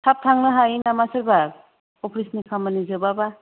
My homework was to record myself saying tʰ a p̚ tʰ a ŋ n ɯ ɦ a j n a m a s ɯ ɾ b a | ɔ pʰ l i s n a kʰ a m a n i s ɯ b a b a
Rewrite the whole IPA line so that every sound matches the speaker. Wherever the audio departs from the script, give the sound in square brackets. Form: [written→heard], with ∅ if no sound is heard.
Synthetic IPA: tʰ a p̚ tʰ a ŋ n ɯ ɦ a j n a m a s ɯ ɾ b a | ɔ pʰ [l→ɾ] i s n [a→i] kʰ a m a n i [s→z] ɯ b a b a